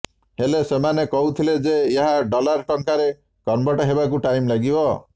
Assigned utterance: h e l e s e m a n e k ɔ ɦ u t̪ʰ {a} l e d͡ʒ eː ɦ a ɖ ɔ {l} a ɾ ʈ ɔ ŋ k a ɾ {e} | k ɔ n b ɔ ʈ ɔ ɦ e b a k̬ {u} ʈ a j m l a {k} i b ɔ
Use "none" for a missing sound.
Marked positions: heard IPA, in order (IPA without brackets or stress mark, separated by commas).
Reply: i, l, e, u, ɡ